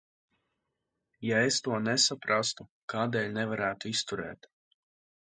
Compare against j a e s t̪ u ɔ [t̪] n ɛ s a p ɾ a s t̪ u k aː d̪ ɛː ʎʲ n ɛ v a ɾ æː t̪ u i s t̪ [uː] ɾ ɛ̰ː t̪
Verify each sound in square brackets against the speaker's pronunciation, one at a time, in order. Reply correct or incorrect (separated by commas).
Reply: incorrect, incorrect